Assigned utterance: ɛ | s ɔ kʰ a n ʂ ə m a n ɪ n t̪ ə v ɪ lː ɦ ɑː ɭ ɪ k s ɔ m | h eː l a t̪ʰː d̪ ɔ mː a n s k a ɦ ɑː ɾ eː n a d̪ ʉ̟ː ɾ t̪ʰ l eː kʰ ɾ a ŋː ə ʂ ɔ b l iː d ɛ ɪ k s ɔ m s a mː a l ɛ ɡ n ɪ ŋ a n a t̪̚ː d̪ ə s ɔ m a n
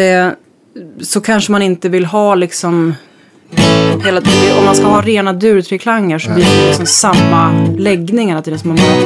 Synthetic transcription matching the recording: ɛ | s ɔ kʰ a n ʂ ə m a n ɪ n t̪ ə v ɪ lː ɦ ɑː l ɪ k s ɔ m | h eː l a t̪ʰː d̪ ɔ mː a n s k a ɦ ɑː ɾ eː n a d̪ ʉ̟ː ɾ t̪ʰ ɾ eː kʰ l a ŋː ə ʂ ɔ b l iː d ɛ ɪ k s ɔ m s a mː a l ɛ ɡ n ɪ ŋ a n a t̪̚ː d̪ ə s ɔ m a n